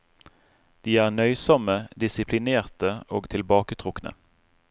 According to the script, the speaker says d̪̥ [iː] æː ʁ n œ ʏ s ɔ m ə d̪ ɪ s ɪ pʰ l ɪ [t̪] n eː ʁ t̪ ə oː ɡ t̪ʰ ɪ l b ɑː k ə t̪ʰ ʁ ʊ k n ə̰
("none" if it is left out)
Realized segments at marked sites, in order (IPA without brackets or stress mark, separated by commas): iː, none